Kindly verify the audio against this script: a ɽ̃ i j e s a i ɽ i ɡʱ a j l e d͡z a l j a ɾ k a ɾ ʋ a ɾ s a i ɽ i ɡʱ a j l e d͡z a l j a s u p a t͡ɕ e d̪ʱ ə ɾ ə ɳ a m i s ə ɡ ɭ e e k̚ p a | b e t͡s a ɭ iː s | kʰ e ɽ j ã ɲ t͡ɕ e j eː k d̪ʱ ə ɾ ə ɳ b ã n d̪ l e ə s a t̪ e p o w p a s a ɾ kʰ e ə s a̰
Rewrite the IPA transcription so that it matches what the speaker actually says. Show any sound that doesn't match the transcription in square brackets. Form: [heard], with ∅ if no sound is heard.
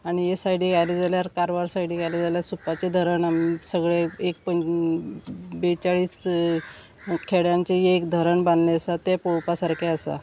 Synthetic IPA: a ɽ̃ i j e s a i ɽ i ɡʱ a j l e d͡z a l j a ɾ k a ɾ ʋ a ɾ s a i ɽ i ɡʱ a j l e d͡z a l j a s u p a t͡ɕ e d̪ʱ ə ɾ ə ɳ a m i s ə ɡ ɭ e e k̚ p [ə] | b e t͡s a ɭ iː s | kʰ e ɽ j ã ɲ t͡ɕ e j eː k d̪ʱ ə ɾ ə ɳ b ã n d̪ l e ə s a t̪ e p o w p a s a ɾ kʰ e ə s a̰